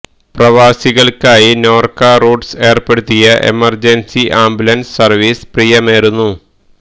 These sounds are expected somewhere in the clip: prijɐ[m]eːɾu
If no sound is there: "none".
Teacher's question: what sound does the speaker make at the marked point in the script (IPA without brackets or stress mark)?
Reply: m